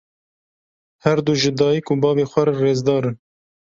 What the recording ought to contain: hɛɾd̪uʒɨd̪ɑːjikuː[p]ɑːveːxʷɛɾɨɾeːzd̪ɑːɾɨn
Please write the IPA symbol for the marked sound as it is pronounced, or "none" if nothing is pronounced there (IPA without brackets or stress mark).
b